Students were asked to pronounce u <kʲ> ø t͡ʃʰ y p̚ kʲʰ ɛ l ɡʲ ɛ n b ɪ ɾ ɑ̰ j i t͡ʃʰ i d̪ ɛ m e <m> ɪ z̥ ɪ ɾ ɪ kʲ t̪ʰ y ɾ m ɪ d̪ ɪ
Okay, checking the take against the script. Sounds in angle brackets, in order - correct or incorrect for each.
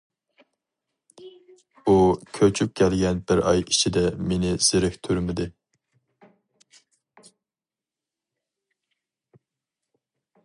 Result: incorrect, incorrect

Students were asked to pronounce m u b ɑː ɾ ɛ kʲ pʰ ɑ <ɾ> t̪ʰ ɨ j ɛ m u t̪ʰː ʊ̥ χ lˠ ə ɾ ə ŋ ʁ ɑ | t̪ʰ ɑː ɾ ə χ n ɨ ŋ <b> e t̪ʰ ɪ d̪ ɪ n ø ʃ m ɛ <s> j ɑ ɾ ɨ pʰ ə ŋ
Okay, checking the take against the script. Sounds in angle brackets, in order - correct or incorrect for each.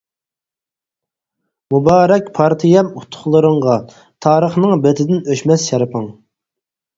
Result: correct, correct, correct

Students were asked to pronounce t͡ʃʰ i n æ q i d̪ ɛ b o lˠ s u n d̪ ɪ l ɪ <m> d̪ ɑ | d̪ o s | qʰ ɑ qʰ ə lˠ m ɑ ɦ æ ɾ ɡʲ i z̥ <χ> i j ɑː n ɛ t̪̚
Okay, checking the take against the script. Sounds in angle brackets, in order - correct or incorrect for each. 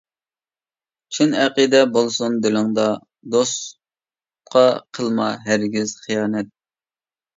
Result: incorrect, correct

